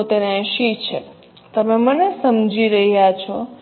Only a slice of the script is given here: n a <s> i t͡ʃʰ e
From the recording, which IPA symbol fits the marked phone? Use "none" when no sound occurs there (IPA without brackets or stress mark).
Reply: ʃ